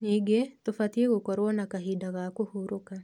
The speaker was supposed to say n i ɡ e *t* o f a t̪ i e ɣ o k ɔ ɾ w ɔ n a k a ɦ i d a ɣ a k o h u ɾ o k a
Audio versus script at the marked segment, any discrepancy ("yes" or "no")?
no